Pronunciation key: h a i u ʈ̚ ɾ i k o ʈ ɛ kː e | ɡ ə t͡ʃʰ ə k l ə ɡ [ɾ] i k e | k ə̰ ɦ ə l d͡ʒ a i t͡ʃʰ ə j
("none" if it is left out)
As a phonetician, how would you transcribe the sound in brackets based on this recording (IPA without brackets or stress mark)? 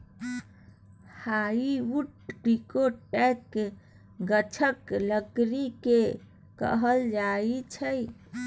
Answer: ɾ